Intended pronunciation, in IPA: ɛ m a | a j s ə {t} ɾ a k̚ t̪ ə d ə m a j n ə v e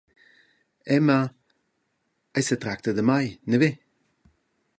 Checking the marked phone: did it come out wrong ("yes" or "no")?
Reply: no